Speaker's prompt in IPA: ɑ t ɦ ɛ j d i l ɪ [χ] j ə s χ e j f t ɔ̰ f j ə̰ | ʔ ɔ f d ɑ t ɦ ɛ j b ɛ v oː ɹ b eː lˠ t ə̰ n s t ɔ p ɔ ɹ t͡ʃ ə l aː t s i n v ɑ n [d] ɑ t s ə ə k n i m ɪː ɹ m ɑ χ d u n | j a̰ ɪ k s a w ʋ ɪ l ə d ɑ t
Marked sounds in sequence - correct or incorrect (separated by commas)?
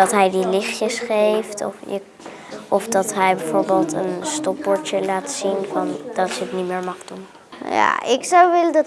correct, correct